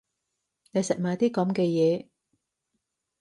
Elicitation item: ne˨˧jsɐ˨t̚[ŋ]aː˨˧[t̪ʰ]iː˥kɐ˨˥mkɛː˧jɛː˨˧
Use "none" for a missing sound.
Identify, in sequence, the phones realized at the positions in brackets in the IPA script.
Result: m, t̪

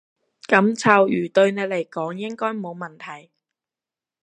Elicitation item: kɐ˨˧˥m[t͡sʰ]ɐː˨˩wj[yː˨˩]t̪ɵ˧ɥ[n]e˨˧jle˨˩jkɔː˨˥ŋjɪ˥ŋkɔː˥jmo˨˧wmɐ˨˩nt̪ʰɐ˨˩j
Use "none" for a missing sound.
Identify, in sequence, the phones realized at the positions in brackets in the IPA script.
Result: t͡sʰ, yː˨˩, n

